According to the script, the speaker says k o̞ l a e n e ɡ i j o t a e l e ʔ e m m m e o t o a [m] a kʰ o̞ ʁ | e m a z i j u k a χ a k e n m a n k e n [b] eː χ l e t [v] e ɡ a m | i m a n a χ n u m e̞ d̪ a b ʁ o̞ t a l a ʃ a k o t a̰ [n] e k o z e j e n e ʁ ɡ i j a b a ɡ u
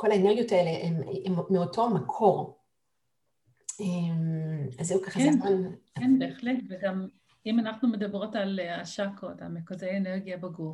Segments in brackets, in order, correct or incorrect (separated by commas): correct, correct, correct, incorrect